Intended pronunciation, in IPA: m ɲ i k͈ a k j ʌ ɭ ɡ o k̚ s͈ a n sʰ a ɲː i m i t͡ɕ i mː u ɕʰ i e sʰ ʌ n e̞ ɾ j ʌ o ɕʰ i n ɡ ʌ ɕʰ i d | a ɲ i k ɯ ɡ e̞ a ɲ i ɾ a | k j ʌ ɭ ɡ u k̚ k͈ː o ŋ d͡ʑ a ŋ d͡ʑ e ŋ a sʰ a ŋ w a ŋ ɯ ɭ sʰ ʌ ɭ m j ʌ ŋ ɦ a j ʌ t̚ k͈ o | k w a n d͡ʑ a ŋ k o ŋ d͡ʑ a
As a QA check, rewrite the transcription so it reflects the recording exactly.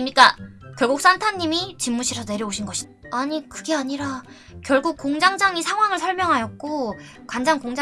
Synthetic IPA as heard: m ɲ i k͈ a k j ʌ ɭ ɡ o k̚ s͈ a n tʰ a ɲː i m i t͡ɕ i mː u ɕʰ i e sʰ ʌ n e̞ ɾ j ʌ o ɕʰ i n ɡ ʌ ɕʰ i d | a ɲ i k ɯ ɡ e̞ a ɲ i ɾ a | k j ʌ ɭ ɡ u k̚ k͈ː o ŋ d͡ʑ a ŋ d͡ʑ a ŋ i sʰ a ŋ w a ŋ ɯ ɭ sʰ ʌ ɭ m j ʌ ŋ ɦ a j ʌ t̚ k͈ o | k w a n d͡ʑ a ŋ k o ŋ d͡ʑ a